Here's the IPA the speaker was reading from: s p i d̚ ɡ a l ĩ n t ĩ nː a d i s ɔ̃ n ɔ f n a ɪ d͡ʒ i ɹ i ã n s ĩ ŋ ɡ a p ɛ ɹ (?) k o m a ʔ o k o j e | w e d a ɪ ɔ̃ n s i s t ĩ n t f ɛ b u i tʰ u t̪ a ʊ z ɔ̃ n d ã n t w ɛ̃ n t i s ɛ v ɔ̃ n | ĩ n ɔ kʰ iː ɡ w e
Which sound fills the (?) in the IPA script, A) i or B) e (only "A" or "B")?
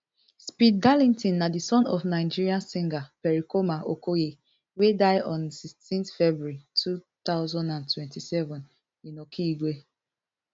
A